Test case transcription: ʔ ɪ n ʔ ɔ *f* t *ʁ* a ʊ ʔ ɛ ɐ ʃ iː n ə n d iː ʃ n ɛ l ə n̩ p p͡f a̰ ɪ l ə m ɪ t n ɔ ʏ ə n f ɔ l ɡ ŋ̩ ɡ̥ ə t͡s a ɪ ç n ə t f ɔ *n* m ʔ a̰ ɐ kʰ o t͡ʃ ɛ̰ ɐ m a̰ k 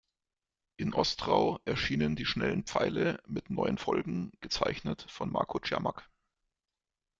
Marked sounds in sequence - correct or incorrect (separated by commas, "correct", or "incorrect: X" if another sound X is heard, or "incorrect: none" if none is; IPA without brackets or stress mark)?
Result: incorrect: s, correct, correct